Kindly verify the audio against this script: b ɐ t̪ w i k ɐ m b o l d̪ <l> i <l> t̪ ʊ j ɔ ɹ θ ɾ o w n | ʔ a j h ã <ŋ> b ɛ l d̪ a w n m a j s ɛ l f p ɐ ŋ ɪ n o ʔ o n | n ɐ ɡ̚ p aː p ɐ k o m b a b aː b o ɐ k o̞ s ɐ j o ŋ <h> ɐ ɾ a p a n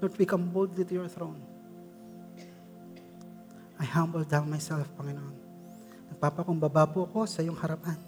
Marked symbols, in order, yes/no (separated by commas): yes, no, no, yes